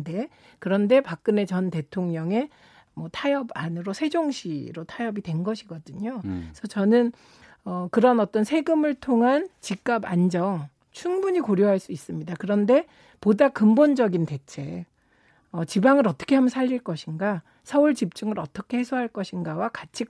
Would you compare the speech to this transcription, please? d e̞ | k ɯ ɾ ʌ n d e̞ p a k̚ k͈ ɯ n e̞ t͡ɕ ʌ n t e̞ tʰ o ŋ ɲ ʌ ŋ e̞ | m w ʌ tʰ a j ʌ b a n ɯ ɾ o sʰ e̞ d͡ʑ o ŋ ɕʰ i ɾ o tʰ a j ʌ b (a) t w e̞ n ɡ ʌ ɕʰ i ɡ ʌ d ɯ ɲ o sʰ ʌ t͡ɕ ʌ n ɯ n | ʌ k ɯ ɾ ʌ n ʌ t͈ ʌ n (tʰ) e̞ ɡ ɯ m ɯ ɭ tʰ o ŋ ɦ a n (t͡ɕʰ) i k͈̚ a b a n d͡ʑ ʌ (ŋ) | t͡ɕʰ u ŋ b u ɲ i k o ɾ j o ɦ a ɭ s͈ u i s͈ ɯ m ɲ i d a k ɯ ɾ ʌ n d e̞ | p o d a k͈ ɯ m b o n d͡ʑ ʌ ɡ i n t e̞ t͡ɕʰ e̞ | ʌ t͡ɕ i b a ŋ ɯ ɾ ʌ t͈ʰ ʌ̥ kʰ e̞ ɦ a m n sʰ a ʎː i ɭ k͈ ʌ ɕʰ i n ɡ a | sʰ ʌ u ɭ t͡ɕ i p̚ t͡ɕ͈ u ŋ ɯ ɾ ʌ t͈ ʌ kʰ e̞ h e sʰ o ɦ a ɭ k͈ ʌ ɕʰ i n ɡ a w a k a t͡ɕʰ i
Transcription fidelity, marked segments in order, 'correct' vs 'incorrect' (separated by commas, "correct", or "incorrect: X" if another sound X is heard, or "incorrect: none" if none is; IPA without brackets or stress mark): incorrect: i, incorrect: sʰ, incorrect: t͡ɕ, correct